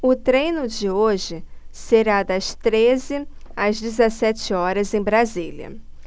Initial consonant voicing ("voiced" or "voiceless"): voiceless